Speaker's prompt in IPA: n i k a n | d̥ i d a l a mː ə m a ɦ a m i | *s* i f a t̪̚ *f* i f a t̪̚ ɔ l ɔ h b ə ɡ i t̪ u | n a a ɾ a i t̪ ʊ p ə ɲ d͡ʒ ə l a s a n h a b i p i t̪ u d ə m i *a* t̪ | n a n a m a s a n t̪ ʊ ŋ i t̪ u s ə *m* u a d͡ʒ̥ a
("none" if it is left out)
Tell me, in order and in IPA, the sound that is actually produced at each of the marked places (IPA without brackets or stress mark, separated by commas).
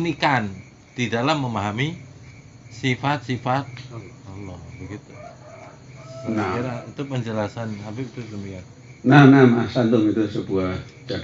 s, s, a, b